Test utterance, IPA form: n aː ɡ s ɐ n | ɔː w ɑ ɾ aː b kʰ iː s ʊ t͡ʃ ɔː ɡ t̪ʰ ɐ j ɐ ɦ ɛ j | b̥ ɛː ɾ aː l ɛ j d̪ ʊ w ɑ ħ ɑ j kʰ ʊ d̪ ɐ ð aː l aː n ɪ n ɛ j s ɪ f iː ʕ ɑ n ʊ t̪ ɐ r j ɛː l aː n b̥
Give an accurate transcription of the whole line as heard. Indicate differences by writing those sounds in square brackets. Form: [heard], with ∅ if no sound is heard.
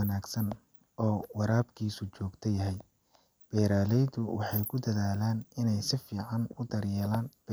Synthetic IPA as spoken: n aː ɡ s ɐ n | ɔː w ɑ ɾ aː b kʰ iː s ʊ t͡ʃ ɔː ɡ t̪ʰ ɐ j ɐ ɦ ɛ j | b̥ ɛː ɾ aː l ɛ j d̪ ʊ w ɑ ħ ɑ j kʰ ʊ d̪ ɐ ð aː l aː n ɪ n ɛ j s ɪ f iː ʕ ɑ n ʊ [d̪] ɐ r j ɛː l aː n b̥